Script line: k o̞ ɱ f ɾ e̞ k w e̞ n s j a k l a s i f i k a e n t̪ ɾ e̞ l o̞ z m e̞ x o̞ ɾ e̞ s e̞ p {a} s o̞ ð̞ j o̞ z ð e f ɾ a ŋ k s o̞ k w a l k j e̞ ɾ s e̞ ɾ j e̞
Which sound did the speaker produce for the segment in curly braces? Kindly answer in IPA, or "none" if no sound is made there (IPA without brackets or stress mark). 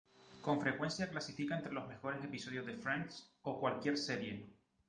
i